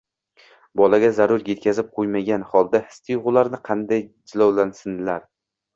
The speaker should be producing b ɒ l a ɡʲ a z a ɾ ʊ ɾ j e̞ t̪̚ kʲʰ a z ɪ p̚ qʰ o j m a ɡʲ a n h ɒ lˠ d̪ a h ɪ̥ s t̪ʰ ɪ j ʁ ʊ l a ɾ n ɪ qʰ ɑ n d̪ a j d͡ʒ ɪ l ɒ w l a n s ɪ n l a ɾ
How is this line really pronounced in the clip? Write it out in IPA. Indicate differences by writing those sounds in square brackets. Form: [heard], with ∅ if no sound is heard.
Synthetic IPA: b ɒ l a ɡʲ a z a ɾ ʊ ɾ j e̞ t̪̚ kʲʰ a z ɪ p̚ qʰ o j m a ɡʲ a n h ɒ lˠ d̪ a h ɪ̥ s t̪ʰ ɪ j ʁ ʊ l a ɾ n ɪ qʰ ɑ n d̪ a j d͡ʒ ɪ l ɒ w l a n s ɪ n l a ɾ